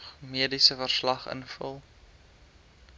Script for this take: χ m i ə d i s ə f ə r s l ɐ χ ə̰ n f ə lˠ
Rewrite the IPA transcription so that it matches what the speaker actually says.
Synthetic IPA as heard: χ m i ə d i s ə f ə r s l ɐ χ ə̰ n f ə lˠ